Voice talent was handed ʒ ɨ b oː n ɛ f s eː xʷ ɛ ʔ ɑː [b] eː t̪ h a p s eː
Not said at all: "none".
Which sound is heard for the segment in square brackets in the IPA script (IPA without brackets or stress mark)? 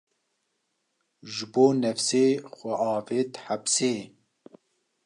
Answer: v